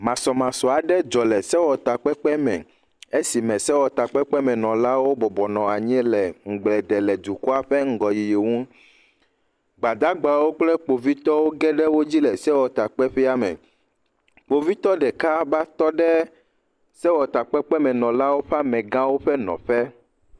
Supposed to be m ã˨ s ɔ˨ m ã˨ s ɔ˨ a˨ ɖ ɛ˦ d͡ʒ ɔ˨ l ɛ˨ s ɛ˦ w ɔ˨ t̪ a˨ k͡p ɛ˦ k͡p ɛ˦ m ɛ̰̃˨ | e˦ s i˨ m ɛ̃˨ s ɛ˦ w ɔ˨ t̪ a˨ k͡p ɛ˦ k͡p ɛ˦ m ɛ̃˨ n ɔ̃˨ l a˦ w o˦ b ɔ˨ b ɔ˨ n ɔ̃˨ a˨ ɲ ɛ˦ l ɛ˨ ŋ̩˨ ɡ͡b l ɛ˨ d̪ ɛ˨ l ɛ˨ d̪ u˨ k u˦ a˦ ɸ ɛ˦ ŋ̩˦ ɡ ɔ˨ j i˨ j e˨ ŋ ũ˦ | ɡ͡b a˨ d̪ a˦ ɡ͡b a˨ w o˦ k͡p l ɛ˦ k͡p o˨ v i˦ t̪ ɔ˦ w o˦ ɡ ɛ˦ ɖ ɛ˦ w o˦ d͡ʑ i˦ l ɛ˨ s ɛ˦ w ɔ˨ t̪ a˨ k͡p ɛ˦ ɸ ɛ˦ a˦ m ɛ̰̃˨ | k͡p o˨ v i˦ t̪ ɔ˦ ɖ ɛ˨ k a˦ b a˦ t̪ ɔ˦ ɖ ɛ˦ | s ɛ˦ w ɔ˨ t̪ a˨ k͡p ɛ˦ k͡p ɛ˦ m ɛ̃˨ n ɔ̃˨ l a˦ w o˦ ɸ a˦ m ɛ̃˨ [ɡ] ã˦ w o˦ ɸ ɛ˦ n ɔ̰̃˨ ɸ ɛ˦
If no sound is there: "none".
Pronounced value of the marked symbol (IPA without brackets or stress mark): ɡ